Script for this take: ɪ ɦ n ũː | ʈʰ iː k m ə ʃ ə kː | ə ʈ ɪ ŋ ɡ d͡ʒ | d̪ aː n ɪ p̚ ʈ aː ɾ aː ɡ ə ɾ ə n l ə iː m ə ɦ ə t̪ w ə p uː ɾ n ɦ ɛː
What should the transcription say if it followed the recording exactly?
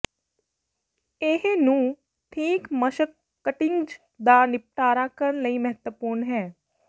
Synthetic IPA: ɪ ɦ n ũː | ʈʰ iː k m ə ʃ ə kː | ə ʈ ɪ ŋ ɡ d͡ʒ | d̪ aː n ɪ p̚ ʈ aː ɾ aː k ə ɾ ə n l ə iː m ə ɦ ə t̪ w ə p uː ɾ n ɦ ɛː